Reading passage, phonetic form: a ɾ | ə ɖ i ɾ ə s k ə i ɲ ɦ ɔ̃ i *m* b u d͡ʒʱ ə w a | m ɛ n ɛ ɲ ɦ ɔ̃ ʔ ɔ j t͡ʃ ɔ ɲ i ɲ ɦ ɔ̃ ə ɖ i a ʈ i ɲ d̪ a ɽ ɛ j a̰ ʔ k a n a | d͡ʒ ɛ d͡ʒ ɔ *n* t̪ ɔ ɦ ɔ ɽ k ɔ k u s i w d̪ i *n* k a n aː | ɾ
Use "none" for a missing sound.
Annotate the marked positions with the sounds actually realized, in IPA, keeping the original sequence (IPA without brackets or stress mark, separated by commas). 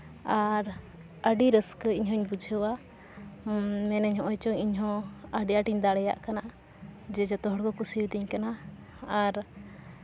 ɲ, none, ɲ